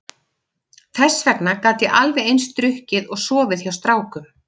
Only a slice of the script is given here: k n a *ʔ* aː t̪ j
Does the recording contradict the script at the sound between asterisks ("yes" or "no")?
yes